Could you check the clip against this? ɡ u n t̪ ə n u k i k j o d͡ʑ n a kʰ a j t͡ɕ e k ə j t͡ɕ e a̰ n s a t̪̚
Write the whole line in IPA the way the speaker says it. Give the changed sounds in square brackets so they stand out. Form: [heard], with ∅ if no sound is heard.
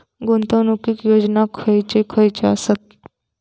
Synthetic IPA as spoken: ɡ [o] n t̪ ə n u k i k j o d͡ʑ n a kʰ [ə] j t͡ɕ e [kʰ] ə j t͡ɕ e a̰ [∅] s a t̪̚